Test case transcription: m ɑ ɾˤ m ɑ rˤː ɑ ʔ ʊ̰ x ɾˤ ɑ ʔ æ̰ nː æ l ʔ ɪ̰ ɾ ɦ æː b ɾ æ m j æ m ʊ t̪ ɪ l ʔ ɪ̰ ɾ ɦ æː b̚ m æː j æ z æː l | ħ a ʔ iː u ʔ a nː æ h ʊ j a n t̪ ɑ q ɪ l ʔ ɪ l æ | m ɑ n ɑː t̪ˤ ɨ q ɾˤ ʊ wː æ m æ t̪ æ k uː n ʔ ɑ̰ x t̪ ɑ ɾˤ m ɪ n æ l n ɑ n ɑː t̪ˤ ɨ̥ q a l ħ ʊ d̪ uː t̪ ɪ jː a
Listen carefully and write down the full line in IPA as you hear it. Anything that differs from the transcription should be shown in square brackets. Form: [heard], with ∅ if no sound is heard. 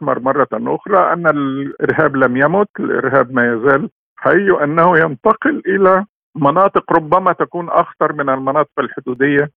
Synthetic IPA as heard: m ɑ ɾˤ m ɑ rˤː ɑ ʔ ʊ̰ x ɾˤ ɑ ʔ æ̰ nː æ l ʔ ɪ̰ ɾ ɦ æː b [l] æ m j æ m ʊ t̪ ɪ l ʔ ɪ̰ ɾ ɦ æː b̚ m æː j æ z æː l | ħ a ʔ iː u ʔ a nː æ h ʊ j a n t̪ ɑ q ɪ l ʔ ɪ l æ | m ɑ n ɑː t̪ˤ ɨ q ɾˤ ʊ [bː] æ m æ t̪ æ k uː n ʔ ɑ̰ x t̪ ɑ ɾˤ m ɪ n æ l [m] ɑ n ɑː t̪ˤ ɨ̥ q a l ħ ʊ d̪ uː [d̪] ɪ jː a